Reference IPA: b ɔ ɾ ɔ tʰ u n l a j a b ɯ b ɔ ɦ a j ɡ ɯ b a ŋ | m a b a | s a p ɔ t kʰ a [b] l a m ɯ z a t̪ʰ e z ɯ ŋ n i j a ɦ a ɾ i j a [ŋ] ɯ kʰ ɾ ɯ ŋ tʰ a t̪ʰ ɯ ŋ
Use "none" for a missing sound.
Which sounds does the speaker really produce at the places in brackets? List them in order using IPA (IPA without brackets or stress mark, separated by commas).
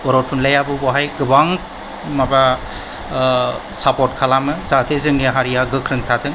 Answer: none, ɡ